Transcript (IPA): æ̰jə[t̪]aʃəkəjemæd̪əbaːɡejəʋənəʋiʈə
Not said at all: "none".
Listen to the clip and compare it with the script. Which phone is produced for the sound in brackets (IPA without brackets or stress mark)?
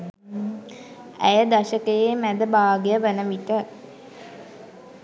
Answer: d̪